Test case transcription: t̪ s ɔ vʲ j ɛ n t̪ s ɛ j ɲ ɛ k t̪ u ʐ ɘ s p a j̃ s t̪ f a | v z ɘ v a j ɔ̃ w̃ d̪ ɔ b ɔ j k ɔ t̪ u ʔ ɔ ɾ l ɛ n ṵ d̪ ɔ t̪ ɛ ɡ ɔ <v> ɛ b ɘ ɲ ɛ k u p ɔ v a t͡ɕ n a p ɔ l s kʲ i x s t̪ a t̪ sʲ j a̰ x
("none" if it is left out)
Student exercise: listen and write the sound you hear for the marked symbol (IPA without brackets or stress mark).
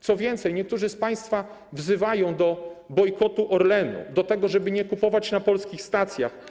ʐ